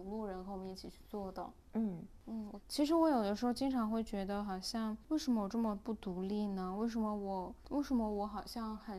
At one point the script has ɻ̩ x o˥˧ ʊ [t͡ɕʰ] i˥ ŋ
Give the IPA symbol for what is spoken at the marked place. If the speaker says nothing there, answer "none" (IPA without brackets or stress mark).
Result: t͡ɕ